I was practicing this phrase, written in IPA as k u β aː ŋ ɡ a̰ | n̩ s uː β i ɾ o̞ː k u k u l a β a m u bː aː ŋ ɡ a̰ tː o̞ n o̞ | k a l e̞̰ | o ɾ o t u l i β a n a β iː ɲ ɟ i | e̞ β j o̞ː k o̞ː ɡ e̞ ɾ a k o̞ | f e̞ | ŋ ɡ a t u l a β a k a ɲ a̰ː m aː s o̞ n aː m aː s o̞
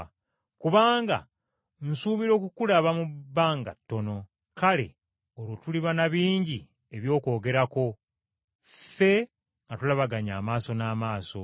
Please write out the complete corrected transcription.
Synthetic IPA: k u β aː ŋ ɡ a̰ | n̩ s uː β i ɾ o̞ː k u k u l a β a m u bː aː ŋ ɡ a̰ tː o̞ n o̞ | k a l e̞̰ | o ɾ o t u l i β a n a β iː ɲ ɟ i | e̞ β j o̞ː k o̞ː ɡ e̞ ɾ a k o̞ | f e̞ | ŋ ɡ a t u l a β a ɡ a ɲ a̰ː m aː s o̞ n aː m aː s o̞